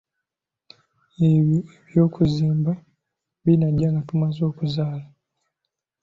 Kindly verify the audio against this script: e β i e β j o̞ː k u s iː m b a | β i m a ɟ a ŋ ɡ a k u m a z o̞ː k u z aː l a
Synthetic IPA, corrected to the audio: e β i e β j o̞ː k u z iː m b a | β i n a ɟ a ŋ ɡ a t u m a z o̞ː k u z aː l a